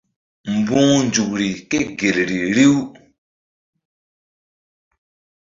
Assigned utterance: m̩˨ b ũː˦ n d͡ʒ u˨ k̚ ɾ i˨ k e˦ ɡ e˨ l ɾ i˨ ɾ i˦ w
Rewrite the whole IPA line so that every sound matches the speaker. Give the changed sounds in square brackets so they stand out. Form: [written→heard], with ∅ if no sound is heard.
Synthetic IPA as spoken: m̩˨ b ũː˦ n d͡ʒ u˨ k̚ ɾ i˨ k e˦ ɡ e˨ l ɾ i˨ ɾ i˦ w